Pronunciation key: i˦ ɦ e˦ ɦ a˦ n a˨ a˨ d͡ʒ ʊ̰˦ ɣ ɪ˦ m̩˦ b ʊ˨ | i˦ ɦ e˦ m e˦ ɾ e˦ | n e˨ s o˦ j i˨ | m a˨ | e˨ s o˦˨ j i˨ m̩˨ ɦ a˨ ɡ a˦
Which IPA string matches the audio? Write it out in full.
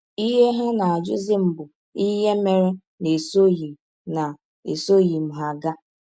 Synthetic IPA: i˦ ɦ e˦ ɦ e˦ n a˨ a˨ d͡ʒ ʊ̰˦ z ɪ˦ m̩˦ b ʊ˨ | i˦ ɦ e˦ m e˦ ɾ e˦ | n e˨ s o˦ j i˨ | n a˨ | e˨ s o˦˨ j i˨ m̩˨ ɦ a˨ ɡ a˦